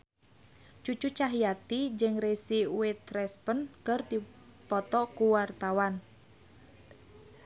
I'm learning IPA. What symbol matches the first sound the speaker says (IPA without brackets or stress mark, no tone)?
t͡ʃ